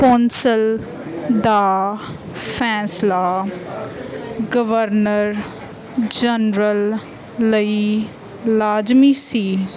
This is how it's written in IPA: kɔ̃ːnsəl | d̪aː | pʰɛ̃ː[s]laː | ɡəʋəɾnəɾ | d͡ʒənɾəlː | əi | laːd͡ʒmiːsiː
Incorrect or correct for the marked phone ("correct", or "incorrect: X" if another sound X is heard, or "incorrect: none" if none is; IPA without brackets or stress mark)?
correct